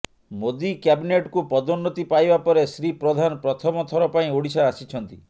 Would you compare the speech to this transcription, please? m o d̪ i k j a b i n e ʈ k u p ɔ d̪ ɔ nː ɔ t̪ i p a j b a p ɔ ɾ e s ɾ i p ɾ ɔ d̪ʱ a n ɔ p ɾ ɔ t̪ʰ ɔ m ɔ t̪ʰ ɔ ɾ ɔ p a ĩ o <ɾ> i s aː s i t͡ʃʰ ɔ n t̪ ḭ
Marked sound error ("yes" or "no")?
yes